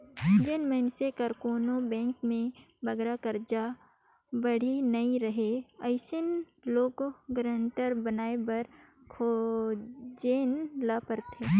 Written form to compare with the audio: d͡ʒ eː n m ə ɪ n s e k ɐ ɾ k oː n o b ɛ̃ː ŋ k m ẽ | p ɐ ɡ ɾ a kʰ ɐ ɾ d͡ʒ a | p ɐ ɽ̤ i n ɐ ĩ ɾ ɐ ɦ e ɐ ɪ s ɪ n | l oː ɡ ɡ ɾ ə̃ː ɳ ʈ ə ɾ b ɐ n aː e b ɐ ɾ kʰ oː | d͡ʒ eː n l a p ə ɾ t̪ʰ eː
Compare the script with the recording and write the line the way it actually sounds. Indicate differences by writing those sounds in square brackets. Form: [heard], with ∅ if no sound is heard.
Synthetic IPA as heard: d͡ʒ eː n m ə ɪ n s e k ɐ ɾ k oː n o b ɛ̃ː ŋ k m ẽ | [b] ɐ ɡ ɾ a [k] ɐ ɾ d͡ʒ a | [b] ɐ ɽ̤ i n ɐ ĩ ɾ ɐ ɦ e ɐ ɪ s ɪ n | l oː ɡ ɡ ɾ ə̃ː ɳ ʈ ə ɾ b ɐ n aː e b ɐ ɾ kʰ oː | d͡ʒ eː n l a p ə ɾ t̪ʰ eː